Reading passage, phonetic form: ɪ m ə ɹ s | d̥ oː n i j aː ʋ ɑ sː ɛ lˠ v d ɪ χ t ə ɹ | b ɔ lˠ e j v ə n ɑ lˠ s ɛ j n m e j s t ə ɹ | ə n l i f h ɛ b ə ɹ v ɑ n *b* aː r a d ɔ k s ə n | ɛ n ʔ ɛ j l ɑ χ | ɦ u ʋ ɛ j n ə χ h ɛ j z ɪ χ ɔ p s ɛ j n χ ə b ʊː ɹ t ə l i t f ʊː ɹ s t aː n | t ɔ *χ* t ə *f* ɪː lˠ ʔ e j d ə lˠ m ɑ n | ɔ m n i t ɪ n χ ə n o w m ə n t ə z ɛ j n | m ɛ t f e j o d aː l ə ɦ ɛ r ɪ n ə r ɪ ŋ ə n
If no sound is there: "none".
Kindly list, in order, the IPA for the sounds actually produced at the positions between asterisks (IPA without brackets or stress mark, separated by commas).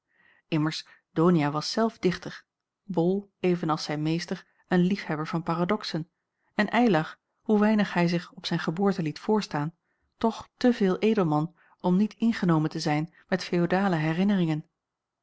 p, χ, v